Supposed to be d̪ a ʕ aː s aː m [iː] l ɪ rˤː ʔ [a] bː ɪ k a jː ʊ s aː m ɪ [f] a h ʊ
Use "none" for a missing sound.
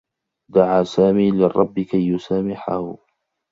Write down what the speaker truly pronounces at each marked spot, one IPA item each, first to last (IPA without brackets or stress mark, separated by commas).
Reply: iː, ɑ, ħ